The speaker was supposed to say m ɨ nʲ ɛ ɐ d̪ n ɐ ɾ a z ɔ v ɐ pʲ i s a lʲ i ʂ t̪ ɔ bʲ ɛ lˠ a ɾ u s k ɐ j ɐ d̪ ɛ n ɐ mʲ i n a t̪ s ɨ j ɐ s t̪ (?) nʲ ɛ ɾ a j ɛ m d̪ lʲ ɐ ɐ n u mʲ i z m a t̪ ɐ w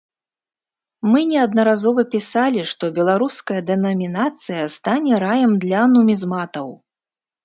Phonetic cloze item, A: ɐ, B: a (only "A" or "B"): B